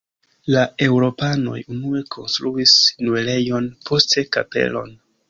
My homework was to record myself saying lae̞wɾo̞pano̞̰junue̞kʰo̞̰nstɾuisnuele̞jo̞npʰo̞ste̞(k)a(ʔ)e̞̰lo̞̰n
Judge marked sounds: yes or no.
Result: yes, no

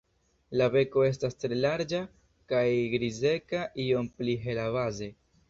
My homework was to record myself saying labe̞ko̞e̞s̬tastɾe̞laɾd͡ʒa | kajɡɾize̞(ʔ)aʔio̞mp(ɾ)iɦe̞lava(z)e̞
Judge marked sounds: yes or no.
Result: no, no, yes

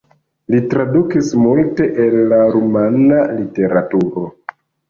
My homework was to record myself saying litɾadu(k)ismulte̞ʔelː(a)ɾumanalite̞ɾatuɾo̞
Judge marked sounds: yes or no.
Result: yes, yes

